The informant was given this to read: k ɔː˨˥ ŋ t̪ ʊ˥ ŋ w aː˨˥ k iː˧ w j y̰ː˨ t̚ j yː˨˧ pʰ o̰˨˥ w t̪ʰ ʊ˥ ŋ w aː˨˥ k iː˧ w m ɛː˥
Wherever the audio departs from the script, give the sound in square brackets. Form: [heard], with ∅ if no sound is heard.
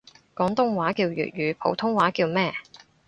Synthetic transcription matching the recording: k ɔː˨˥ ŋ t̪ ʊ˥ ŋ w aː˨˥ k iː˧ w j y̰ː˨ t̚ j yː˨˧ pʰ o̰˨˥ w t̪ʰ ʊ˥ ŋ w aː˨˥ k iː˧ w m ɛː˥